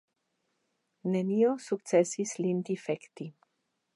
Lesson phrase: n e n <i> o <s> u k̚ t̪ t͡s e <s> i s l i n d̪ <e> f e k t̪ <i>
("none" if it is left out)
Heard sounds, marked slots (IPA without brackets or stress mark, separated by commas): i, s, s, i, i